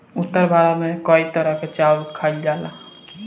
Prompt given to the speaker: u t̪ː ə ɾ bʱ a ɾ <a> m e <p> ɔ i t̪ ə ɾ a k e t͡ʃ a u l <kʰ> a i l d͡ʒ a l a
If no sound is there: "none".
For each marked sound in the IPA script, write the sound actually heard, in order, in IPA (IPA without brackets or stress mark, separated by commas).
a, k, kʰ